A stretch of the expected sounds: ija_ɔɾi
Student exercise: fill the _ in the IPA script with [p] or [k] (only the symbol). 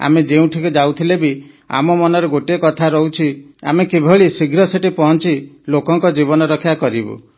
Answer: k